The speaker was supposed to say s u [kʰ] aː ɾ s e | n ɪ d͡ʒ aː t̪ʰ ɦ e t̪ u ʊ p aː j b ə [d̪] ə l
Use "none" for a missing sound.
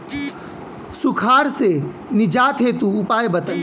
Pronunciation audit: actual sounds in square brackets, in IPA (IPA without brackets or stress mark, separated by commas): kʰ, t̪